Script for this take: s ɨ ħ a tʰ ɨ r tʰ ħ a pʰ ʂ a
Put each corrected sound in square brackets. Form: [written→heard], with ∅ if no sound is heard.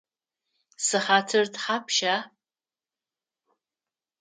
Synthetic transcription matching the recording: s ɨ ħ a tʰ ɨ r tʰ ħ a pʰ [ʂ→ʃ] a